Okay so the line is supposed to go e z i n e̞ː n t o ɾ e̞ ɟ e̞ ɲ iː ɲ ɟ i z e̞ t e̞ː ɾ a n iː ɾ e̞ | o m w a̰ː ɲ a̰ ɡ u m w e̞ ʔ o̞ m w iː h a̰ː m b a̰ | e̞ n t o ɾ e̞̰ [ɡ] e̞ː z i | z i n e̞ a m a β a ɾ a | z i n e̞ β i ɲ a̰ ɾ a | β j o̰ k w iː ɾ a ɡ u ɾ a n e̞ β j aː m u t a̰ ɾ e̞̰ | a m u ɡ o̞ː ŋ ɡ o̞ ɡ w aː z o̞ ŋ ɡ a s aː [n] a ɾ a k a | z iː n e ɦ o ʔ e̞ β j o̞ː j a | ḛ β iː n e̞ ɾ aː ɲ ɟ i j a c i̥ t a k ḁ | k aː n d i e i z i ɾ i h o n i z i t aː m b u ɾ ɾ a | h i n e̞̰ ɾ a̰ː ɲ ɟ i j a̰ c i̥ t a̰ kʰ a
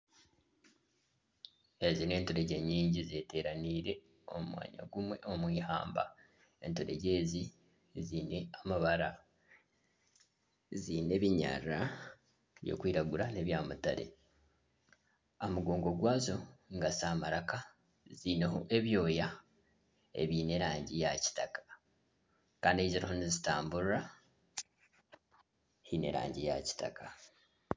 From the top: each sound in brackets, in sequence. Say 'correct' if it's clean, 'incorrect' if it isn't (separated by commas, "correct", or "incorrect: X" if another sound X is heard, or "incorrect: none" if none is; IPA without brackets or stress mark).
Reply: incorrect: ɟ, incorrect: m